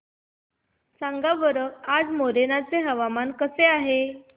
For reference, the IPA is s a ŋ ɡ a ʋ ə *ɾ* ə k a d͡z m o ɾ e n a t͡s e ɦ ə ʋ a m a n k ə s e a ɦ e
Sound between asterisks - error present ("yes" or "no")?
no